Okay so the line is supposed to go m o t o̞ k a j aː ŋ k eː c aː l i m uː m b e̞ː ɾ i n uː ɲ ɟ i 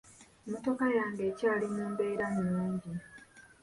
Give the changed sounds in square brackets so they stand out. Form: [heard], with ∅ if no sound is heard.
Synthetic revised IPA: m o t o̞ k a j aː ŋ [ɡ] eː c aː l i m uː m b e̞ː ɾ [a] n uː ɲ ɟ i